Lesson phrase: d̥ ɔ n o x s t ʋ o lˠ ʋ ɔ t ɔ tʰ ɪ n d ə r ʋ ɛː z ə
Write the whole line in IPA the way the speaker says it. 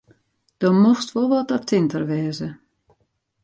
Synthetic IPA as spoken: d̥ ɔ m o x s t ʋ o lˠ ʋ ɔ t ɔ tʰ ɪ n t ə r ʋ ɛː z ə